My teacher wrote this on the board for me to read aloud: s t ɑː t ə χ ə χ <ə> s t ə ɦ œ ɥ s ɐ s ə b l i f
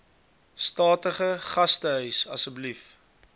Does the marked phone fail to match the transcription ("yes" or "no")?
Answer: yes